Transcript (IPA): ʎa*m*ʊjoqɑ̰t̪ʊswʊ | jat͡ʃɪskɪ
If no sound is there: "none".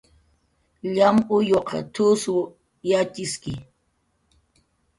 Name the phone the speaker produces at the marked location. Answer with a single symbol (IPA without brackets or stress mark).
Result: m